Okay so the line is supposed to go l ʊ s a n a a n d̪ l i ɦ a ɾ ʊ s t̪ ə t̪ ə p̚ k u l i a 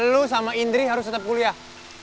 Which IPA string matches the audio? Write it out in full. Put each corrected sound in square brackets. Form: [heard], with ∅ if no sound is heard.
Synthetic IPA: l [u] s a [m] a [i] n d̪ [ɾ] i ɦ a ɾ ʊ s t̪ ə t̪ ə p̚ k u l i a